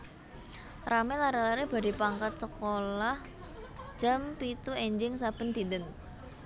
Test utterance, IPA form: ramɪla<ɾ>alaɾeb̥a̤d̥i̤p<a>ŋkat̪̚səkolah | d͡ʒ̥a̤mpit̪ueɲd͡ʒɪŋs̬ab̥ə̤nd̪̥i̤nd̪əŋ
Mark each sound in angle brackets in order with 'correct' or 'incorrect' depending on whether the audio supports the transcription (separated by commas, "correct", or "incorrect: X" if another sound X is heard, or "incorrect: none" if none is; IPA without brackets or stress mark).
correct, correct